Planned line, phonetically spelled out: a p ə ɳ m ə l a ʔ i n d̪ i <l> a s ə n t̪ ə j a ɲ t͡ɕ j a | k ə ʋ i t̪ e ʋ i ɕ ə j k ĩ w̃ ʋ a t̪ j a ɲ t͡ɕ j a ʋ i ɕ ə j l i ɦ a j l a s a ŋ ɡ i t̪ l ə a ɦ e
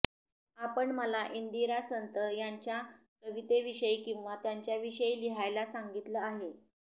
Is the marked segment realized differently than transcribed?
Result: yes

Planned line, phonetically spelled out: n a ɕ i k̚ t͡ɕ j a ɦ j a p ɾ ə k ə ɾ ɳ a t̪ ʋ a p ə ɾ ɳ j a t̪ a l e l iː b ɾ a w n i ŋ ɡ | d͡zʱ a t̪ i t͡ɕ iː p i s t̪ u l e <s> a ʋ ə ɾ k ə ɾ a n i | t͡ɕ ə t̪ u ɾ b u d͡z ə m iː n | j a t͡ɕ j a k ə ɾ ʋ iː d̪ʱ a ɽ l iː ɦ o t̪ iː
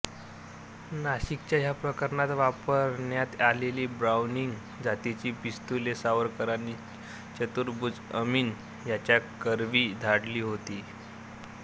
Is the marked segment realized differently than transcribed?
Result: no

